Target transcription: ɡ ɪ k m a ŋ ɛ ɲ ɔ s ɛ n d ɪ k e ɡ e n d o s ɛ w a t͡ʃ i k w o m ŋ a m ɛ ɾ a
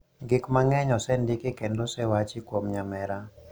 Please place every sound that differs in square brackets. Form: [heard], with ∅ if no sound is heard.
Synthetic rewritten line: ɡ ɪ k m a ŋ ɛ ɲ ɔ s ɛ n d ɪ k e [k] e n d o s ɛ w a t͡ʃ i k w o m [ɲ] a m ɛ ɾ a